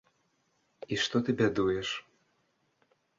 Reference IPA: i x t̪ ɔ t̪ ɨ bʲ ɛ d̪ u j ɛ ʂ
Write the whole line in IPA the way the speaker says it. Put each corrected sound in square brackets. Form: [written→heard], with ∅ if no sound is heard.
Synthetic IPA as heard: i [x→ʂ] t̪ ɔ t̪ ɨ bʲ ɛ d̪ u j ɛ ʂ